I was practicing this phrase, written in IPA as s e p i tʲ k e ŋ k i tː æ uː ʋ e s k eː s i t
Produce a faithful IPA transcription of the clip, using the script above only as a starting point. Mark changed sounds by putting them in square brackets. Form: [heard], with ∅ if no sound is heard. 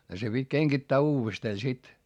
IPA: s e p i tʲ k e ŋ k i tː [æː] uː ʋ e s [t] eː s i t